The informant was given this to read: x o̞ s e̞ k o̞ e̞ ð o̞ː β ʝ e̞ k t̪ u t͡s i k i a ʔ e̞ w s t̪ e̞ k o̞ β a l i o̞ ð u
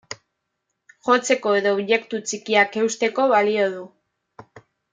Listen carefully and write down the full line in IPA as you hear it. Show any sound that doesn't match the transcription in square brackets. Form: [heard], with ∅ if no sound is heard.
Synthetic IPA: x o̞ [t͡s] e̞ k o̞ e̞ ð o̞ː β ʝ e̞ k t̪ u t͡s i k i a [k] e̞ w s t̪ e̞ k o̞ β a l i o̞ ð u